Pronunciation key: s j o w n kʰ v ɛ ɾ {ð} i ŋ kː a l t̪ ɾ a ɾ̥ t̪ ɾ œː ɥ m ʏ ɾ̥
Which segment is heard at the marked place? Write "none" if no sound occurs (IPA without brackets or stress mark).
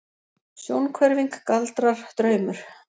v